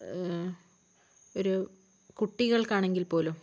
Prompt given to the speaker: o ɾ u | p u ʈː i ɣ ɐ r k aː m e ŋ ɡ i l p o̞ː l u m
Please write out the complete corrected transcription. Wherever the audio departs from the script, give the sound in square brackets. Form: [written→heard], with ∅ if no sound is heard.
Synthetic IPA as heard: o ɾ u | [p→k] u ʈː i ɣ ɐ [r→ɭ] k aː [m→ɳ] e ŋ ɡ i l p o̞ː l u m